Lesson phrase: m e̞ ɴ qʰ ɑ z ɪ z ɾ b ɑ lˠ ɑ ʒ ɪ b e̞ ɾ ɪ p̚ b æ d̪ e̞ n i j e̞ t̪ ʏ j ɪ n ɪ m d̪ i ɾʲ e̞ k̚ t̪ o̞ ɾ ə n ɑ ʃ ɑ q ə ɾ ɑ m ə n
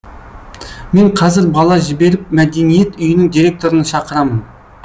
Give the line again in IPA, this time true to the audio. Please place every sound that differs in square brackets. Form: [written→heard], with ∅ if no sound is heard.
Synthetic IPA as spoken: m e̞ ɴ qʰ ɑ z ɪ [z→∅] ɾ b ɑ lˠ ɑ ʒ ɪ b e̞ ɾ ɪ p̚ [b→m] æ d̪ e̞ n i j e̞ t̪ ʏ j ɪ n ɪ [m→ŋ] d̪ i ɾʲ e̞ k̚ t̪ o̞ ɾ ə n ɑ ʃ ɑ q ə ɾ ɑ m ə n